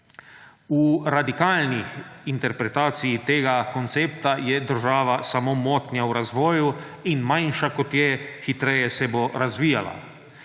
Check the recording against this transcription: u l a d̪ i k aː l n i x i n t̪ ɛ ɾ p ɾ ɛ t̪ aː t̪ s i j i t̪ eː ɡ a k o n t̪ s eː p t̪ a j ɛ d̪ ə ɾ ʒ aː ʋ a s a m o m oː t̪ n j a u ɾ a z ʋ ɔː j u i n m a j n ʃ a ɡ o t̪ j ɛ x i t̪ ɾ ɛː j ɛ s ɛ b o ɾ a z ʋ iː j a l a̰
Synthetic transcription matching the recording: u ɾ a d̪ i k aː l n i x i n t̪ ɛ ɾ p ɾ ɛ t̪ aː t̪ s i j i t̪ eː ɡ a k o n t̪ s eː p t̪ a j ɛ d̪ ə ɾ ʒ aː ʋ a s a m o m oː t̪ n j a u ɾ a z ʋ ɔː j u i n m a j n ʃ a k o t̪ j ɛ x i t̪ ɾ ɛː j ɛ s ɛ b o ɾ a z ʋ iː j a l a̰